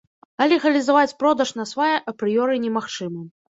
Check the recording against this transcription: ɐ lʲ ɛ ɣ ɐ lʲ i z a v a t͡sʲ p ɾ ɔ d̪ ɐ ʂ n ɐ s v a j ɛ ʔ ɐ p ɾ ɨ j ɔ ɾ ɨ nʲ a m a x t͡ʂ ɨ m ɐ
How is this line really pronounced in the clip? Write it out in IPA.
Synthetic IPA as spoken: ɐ lʲ ɛ ɣ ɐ lʲ i z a v a t͡sʲ p ɾ ɔ d̪ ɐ ʂ n ɐ s v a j ɛ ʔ ɐ p ɾ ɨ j ɔ ɾ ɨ nʲ ɛ m a x t͡ʂ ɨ m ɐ